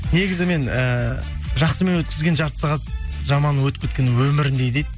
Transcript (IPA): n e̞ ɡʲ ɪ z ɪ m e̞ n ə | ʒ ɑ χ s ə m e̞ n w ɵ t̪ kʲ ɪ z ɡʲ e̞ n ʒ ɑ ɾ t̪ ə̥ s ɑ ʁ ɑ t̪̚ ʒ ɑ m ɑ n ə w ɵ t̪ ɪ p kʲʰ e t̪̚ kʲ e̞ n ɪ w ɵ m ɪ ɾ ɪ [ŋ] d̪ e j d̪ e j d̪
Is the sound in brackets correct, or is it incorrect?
incorrect